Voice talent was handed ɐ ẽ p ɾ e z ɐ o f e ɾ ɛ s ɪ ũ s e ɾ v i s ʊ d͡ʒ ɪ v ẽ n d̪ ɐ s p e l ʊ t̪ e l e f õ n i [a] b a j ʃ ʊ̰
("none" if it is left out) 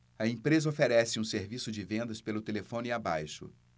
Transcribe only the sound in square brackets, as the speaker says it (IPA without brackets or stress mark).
a